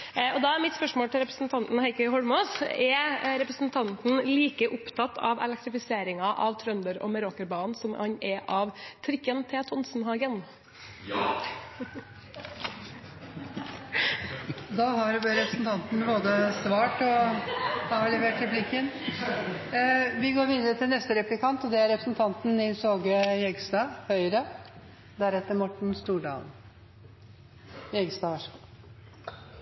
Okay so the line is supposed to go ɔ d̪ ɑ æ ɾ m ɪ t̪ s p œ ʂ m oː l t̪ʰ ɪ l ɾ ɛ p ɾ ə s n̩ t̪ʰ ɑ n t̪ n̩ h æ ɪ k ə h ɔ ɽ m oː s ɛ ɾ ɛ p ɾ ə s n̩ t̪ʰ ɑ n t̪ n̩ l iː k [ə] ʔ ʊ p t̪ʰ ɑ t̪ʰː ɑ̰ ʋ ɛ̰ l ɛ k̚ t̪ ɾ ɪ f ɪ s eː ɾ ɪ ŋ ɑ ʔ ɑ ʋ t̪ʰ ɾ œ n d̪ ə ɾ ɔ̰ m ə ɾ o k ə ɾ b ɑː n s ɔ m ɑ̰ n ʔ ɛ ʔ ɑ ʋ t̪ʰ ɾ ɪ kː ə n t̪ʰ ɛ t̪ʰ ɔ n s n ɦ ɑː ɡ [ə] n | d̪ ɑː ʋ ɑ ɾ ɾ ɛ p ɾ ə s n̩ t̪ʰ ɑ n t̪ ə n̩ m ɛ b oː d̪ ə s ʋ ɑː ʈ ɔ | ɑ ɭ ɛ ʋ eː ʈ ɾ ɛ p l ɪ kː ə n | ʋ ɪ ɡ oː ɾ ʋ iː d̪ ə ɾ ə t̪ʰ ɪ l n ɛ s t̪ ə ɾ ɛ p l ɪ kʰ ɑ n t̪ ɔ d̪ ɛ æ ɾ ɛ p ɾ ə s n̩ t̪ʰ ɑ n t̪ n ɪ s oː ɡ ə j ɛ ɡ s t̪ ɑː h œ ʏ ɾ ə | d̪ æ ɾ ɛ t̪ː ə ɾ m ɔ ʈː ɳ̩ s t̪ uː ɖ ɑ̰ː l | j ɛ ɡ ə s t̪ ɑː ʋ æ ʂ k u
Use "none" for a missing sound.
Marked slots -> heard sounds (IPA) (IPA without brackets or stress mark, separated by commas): ə, ə